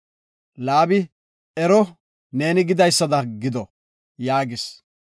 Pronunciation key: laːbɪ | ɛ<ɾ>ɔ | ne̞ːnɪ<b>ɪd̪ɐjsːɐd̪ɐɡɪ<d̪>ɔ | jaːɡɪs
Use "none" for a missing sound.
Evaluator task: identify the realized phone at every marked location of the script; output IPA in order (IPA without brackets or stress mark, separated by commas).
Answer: ɾ, ɡ, d̪